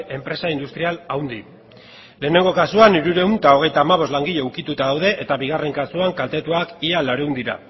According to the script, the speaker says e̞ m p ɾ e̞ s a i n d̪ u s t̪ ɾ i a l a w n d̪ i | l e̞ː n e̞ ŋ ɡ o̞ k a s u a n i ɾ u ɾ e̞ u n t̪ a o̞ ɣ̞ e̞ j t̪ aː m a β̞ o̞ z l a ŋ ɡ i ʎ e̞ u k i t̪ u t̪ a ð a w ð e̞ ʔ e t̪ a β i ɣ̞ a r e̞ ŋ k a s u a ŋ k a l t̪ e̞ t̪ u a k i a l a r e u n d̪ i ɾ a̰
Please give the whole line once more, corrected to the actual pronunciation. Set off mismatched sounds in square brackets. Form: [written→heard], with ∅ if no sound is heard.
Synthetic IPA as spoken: e̞ m p ɾ e̞ s a i n d̪ u s t̪ ɾ i a l a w n d̪ i | l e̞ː n e̞ ŋ ɡ o̞ k a s u a n i ɾ u ɾ e̞ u n t̪ a o̞ ɣ̞ e̞ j t̪ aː m a β̞ o̞ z l a ŋ ɡ i ʎ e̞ u k i t̪ u t̪ a ð a w ð e̞ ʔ e t̪ a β i ɣ̞ a r e̞ ŋ k a s u a ŋ k a l t̪ e̞ t̪ u a k i a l a [r→ɾ] e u n d̪ i ɾ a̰

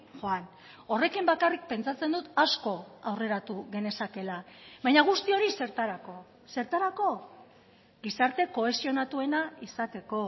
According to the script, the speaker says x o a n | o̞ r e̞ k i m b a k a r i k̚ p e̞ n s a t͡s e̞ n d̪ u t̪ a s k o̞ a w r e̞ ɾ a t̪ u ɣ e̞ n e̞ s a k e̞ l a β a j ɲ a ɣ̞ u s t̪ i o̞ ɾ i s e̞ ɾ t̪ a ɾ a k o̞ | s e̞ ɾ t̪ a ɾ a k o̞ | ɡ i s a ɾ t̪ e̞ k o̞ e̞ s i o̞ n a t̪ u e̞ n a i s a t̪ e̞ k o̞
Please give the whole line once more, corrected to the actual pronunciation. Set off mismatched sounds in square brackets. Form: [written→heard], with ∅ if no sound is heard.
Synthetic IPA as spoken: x o a n | o̞ r e̞ k i m b a k a r i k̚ p e̞ n [s→t͡s] a t͡s e̞ n d̪ u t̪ a s k o̞ a w r e̞ ɾ a t̪ u ɣ e̞ n e̞ s a k e̞ l a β a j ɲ a ɣ̞ u s t̪ i o̞ ɾ i s e̞ ɾ t̪ a ɾ a k o̞ | s e̞ ɾ t̪ a ɾ a k o̞ | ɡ i s a ɾ t̪ e̞ k o̞ e̞ s i o̞ n a t̪ u e̞ n a i s a t̪ e̞ k o̞

